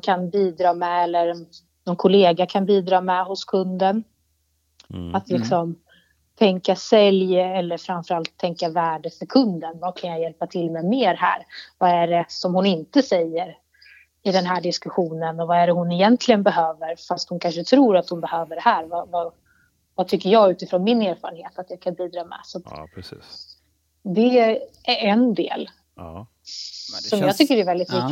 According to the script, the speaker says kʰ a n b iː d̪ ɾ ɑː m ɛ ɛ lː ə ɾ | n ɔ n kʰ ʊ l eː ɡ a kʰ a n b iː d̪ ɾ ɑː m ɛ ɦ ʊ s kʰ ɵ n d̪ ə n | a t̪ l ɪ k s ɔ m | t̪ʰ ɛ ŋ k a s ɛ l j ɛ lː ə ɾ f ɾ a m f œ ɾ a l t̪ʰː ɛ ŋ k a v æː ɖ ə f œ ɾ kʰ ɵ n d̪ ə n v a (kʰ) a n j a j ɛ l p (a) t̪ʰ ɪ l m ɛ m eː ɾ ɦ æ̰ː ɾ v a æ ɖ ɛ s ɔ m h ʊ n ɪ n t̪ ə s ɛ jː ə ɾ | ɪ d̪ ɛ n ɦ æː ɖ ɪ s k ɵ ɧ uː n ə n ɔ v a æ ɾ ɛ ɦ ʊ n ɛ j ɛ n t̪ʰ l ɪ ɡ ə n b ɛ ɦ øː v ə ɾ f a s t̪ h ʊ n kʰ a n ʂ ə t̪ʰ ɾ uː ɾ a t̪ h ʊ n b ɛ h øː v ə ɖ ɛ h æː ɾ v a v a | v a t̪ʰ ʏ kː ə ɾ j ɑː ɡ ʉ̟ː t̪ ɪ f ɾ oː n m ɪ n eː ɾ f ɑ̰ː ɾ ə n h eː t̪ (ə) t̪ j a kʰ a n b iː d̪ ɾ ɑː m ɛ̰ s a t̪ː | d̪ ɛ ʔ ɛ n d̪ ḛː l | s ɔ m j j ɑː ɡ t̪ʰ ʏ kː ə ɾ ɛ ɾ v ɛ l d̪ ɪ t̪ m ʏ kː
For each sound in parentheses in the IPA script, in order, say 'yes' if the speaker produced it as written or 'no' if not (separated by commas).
yes, yes, no